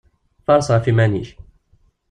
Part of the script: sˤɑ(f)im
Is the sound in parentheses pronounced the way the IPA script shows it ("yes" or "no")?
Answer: yes